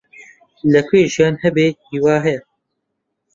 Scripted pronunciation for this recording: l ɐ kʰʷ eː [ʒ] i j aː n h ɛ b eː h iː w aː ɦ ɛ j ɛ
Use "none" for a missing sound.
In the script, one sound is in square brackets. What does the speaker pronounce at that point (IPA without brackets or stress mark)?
ʒ